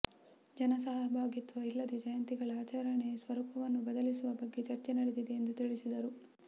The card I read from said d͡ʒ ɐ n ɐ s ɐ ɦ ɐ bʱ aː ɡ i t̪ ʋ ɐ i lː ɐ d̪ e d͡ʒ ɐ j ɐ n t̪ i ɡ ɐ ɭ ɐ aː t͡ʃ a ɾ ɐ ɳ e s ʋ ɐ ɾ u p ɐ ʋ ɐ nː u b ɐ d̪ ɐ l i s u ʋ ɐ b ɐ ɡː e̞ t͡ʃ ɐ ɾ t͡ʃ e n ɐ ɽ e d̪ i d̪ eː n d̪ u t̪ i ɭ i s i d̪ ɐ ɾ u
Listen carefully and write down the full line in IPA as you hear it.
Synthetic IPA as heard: d͡ʒ ɐ n ɐ s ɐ ɦ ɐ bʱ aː ɡ i t̪ ʋ ɐ i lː ɐ d̪ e d͡ʒ ɐ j ɐ n t̪ i ɡ ɐ ɭ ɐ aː t͡ʃ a ɾ ɐ ɳ e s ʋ ɐ ɾ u p ɐ ʋ ɐ nː u b ɐ d̪ ɐ l i s u ʋ ɐ b ɐ ɡː e̞ t͡ʃ ɐ ɾ t͡ʃ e n ɐ ɽ e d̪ i d̪ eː n d̪ u t̪ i ɭ i s i d̪ ɐ ɾ u